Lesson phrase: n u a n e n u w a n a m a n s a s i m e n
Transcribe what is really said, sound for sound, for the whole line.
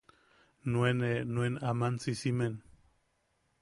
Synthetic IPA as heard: n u e n e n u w e n a m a n s i s i m e n